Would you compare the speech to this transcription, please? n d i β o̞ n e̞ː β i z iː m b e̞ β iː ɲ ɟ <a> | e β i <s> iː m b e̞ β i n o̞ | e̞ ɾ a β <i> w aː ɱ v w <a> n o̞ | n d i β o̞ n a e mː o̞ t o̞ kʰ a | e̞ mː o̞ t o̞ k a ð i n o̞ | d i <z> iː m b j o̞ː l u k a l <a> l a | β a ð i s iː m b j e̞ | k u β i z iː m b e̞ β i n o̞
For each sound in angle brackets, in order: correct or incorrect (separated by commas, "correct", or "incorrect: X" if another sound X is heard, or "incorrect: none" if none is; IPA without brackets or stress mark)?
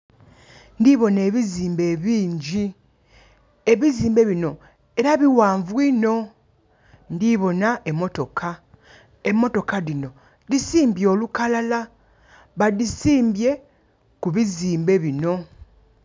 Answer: incorrect: i, incorrect: z, correct, incorrect: i, incorrect: s, correct